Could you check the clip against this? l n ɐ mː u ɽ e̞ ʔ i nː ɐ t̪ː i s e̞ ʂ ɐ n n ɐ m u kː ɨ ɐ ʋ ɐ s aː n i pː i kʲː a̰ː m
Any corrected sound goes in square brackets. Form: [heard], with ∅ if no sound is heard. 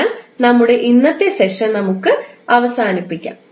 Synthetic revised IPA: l n ɐ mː u ɽ e̞ ʔ i nː ɐ t̪ː [e] s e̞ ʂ ɐ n n ɐ m u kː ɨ ɐ ʋ ɐ s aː n i pː i kʲː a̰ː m